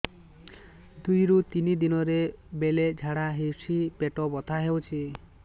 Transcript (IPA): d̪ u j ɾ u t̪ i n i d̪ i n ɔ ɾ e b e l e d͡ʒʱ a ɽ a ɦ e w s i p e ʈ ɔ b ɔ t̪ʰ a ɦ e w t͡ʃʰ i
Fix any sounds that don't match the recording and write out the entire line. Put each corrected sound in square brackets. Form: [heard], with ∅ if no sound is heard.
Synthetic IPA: d̪ u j ɾ u t̪ i n i d̪ i n ɔ ɾ e b e l e d͡ʒʱ a ɽ a ɦ e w s i p e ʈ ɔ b ɔ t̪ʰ a ɦ e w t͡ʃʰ i